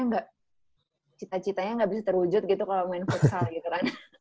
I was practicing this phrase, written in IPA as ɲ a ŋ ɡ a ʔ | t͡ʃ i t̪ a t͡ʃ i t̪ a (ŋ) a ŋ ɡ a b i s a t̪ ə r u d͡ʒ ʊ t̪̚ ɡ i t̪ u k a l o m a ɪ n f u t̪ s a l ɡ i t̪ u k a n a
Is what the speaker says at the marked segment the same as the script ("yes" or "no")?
no